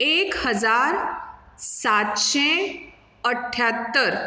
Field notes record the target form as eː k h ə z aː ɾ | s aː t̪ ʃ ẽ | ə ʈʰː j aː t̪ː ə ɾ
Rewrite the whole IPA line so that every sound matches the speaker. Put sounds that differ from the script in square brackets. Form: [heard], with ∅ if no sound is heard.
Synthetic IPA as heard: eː k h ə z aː ɾ | s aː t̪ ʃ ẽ | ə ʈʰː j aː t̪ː ə ɾ

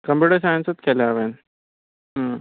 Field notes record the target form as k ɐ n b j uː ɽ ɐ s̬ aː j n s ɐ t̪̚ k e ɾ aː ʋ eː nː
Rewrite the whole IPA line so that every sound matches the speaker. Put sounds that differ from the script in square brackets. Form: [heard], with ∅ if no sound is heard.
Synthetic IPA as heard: k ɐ [m] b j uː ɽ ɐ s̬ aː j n s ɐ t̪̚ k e [l] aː ʋ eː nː

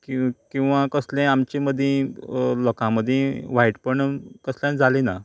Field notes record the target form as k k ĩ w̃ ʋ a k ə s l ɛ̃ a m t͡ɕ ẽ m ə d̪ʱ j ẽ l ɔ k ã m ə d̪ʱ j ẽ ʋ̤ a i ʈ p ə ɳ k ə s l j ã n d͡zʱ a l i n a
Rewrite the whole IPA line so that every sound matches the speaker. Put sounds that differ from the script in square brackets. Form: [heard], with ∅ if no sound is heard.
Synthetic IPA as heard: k k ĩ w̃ ʋ a k ə s l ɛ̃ a m t͡ɕ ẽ m ə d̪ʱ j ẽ l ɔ k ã m ə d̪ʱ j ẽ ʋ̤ a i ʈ p ə ɳ k ə s l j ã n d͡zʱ a l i n a

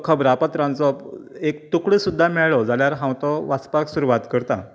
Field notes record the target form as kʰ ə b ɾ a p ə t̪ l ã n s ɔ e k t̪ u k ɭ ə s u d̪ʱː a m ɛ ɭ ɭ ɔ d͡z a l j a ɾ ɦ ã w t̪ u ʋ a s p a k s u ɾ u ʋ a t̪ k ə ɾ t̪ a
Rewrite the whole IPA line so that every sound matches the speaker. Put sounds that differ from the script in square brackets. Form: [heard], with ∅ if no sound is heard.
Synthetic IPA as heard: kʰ ə b ɾ a p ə t̪ [ɾ] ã n [t͡s] ɔ e k t̪ u k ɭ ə s u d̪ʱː a m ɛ ɭ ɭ ɔ d͡z a l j a ɾ ɦ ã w t̪ [ɔ] ʋ a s p a k s u ɾ u ʋ a t̪ k ə ɾ t̪ a

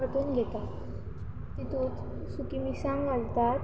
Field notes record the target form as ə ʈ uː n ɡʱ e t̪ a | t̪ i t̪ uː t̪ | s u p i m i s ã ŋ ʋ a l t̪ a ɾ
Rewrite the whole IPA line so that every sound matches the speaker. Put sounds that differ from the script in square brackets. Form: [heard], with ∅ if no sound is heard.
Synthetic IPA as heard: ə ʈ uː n ɡʱ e t̪ a | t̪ i t̪ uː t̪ | s u [k] i m i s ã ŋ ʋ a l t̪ a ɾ

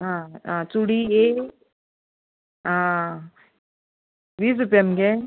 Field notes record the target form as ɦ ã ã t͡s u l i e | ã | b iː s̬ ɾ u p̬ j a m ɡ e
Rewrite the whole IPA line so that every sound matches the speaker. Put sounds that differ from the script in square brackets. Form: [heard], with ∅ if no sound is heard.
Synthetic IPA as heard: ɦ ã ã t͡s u [ɽ] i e | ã | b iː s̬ ɾ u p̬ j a m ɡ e

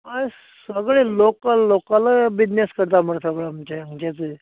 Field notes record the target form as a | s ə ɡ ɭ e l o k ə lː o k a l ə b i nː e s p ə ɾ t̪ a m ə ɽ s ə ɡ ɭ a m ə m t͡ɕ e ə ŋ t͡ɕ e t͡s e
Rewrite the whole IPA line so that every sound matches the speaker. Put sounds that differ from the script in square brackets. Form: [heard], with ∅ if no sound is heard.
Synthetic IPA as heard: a | s ə ɡ ɭ e l o k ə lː o k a l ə b i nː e s [k] ə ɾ t̪ a m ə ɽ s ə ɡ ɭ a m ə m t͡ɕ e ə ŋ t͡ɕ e t͡s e

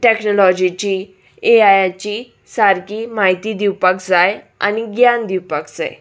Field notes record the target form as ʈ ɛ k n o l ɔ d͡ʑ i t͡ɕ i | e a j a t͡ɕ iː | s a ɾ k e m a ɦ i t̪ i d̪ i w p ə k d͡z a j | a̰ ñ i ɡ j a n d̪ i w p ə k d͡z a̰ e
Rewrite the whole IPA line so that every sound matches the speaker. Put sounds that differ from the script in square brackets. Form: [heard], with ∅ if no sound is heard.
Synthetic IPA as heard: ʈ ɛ k n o l ɔ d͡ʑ i t͡ɕ i | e a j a t͡ɕ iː | s a ɾ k [i] m a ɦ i t̪ i d̪ i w p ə k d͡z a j | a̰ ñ i ɡ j a n d̪ i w p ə k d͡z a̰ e

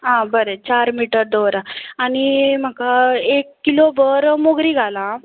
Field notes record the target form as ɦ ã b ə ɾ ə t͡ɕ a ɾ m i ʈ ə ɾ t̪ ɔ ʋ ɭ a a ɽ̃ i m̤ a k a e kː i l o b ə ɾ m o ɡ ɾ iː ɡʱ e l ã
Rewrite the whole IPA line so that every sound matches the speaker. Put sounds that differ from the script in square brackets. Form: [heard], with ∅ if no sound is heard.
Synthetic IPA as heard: ɦ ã b ə ɾ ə t͡ɕ a ɾ m i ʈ ə ɾ [d̪] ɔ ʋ [ɾ] a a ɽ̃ i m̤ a k a e kː i l o b ə ɾ m o ɡ ɾ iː ɡʱ [a] l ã

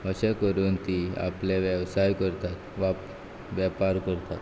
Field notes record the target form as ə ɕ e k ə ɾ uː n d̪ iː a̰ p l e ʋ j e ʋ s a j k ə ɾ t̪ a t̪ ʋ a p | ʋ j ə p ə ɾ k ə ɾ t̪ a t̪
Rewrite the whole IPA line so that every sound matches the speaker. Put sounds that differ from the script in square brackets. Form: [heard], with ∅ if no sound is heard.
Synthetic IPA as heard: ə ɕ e k ə ɾ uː n [t̪] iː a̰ p l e ʋ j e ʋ s a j k ə ɾ t̪ a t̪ ʋ a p | ʋ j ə p [a] ɾ k ə ɾ t̪ a t̪

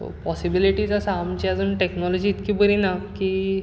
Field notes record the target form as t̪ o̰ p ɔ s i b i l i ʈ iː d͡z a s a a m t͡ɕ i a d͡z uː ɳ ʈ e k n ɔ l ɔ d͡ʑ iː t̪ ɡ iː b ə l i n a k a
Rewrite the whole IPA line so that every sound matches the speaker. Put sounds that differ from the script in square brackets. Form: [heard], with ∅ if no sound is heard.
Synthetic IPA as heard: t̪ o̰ p ɔ s i b i l i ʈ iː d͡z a s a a m t͡ɕ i a d͡z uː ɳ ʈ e k n ɔ l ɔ d͡ʑ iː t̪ [k] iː b ə [ɾ] i n a k [i]

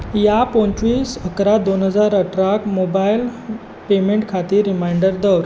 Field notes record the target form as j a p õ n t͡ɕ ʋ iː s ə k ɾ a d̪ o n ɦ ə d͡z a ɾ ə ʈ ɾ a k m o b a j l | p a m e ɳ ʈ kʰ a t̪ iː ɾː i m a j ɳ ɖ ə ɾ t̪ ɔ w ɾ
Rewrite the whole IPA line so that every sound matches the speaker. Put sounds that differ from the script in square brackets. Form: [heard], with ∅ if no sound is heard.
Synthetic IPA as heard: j a p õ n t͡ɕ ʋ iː s ə k ɾ a d̪ o n ɦ ə d͡z a ɾ ə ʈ ɾ a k m o b a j l | p [e] m e ɳ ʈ kʰ a t̪ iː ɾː i m a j ɳ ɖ ə ɾ [d̪] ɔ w ɾ

